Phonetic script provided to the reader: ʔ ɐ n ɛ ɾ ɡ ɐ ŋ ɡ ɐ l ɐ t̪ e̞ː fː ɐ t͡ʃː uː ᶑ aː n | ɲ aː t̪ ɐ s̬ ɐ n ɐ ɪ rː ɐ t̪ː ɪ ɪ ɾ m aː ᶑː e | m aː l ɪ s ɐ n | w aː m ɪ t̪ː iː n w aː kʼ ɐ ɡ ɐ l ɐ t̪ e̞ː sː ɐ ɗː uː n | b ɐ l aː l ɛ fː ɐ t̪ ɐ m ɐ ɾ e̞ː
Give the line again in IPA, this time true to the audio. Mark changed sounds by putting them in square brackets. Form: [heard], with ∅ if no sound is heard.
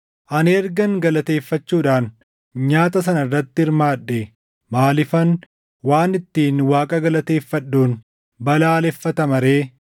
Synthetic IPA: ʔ ɐ n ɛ ɾ ɡ ɐ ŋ ɡ ɐ l ɐ t̪ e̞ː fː ɐ t͡ʃː uː ᶑ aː n | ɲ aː t̪ ɐ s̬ ɐ n ɐ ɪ rː ɐ t̪ː ɪ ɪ ɾ m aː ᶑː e | m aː l ɪ [f] ɐ n | w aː [n] ɪ t̪ː iː n w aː kʼ ɐ ɡ ɐ l ɐ t̪ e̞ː [fː] ɐ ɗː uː n | b ɐ l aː l ɛ fː ɐ t̪ ɐ m ɐ ɾ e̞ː